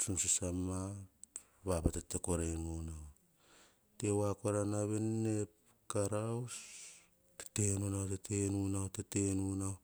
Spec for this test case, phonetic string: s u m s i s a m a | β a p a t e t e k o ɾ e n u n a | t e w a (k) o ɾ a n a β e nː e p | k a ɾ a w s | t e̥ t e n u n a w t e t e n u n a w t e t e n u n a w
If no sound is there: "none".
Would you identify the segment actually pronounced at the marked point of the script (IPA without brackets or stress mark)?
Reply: k